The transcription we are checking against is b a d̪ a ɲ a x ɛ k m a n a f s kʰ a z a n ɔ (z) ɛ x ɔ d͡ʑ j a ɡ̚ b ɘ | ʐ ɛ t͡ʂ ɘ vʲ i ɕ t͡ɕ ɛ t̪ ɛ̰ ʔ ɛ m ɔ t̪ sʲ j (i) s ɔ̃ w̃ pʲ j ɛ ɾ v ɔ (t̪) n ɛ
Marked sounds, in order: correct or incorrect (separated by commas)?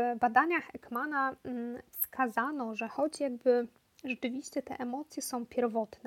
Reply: incorrect, incorrect, correct